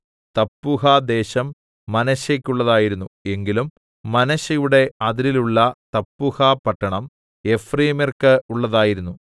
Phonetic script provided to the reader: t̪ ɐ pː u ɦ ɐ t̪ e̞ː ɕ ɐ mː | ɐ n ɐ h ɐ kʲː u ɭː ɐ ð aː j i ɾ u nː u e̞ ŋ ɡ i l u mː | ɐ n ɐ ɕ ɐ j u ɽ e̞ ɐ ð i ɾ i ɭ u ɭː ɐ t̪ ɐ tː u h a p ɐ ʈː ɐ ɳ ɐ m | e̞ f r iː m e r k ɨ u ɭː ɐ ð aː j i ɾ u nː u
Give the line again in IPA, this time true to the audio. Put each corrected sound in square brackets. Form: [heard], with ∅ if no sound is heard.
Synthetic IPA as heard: t̪ ɐ pː u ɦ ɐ [d̪] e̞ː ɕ ɐ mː | ɐ n ɐ [ɕ] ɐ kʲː u ɭː ɐ ð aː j i ɾ u nː u e̞ ŋ ɡ i l u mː | ɐ n ɐ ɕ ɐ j u ɽ e̞ ɐ ð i ɾ i [l] u ɭː ɐ t̪ ɐ [pː] u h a p ɐ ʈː ɐ ɳ ɐ m | e̞ f r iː m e r k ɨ u ɭː ɐ ð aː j i ɾ u nː u

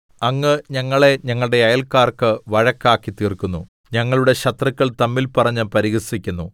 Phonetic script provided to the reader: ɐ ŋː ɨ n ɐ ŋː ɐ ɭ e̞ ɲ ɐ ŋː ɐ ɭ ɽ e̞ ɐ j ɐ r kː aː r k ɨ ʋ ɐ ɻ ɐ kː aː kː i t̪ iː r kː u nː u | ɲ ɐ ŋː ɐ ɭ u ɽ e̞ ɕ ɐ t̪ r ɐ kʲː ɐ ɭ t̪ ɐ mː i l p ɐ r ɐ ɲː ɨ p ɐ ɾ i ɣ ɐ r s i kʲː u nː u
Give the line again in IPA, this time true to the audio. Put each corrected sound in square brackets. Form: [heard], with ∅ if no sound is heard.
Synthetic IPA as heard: ɐ ŋː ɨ [ɲ] ɐ ŋː ɐ ɭ e̞ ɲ ɐ ŋː ɐ ɭ ɽ e̞ ɐ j ɐ [l] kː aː r k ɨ ʋ ɐ ɻ ɐ kː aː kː i t̪ iː r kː u nː u | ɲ ɐ ŋː ɐ ɭ u ɽ e̞ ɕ ɐ t̪ r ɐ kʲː ɐ ɭ t̪ ɐ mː i l p ɐ r ɐ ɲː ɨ p ɐ ɾ i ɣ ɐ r s i kʲː u nː u

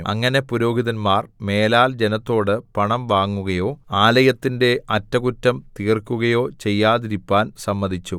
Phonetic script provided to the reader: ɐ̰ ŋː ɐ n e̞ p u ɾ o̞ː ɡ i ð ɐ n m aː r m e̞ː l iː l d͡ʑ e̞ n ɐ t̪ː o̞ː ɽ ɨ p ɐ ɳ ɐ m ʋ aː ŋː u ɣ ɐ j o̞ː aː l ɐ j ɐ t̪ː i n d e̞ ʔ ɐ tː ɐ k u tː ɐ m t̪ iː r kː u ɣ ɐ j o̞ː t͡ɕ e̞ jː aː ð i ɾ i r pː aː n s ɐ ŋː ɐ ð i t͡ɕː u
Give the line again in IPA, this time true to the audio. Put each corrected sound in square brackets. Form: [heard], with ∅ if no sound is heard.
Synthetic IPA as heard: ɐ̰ ŋː ɐ n e̞ p u ɾ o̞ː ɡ i ð ɐ n m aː r m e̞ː l [aː] l d͡ʑ e̞ n ɐ t̪ː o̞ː ɽ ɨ p ɐ ɳ ɐ m ʋ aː ŋː u ɣ ɐ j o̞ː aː l ɐ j ɐ t̪ː i n d e̞ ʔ ɐ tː ɐ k u tː ɐ m t̪ iː r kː u ɣ ɐ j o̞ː t͡ɕ e̞ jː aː ð i ɾ i [∅] pː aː n s ɐ [mː] ɐ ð i t͡ɕː u

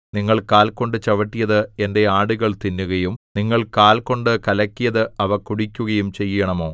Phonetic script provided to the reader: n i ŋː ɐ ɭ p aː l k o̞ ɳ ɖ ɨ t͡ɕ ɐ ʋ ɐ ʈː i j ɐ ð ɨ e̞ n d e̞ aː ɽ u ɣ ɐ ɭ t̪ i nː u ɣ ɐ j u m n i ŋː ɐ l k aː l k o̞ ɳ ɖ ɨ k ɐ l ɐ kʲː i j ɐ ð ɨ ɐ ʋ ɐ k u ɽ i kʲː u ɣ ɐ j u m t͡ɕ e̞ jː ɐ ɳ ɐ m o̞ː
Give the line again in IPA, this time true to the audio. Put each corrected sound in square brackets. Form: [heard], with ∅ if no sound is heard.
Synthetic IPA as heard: n i ŋː ɐ ɭ [k] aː l k o̞ ɳ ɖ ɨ t͡ɕ ɐ ʋ ɐ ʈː i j ɐ ð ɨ e̞ n d e̞ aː ɽ u ɣ ɐ ɭ t̪ i nː u ɣ ɐ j u m n i ŋː ɐ [ɭ] k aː l k o̞ ɳ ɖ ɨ k ɐ l ɐ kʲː i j ɐ ð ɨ ɐ ʋ ɐ k u ɽ i kʲː u ɣ ɐ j u m t͡ɕ e̞ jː ɐ ɳ ɐ m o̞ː

